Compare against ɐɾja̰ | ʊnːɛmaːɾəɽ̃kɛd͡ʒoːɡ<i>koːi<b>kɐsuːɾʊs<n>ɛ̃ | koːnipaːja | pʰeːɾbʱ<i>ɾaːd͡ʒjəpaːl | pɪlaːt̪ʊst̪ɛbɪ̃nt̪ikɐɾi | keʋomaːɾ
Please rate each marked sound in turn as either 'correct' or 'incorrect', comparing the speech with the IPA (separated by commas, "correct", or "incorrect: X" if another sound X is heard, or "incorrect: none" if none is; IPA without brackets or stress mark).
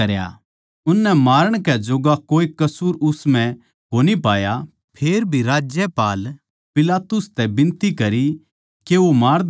incorrect: a, incorrect: none, incorrect: m, correct